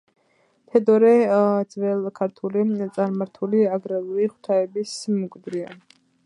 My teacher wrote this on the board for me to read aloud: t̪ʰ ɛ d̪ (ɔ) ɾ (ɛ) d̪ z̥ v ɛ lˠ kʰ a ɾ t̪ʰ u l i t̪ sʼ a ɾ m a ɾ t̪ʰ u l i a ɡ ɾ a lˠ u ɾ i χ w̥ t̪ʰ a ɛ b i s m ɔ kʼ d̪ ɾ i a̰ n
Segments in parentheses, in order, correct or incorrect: correct, correct

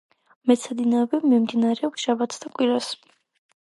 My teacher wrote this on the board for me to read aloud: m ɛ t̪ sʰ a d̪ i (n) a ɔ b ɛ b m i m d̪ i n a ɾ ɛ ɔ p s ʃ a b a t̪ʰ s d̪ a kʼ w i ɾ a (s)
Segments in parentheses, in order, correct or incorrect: correct, correct

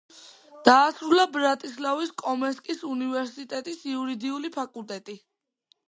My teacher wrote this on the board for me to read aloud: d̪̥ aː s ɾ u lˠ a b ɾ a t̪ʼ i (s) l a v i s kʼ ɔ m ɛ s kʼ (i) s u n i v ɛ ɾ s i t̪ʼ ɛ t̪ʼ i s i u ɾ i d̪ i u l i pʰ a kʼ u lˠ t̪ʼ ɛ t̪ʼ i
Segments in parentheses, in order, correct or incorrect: correct, correct

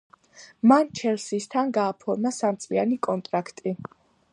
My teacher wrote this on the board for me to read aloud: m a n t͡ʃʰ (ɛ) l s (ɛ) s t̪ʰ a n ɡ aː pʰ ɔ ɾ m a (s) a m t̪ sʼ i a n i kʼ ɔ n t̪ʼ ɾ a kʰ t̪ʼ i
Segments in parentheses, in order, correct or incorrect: correct, incorrect, correct

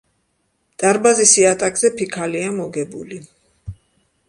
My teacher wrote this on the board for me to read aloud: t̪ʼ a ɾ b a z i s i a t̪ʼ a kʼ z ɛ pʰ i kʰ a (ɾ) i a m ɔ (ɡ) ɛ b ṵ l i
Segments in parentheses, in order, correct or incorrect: incorrect, correct

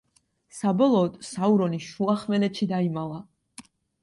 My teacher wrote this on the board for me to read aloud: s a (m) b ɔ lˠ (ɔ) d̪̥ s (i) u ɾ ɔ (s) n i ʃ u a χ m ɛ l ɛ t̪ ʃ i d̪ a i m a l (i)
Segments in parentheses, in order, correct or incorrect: incorrect, incorrect, incorrect, incorrect, incorrect

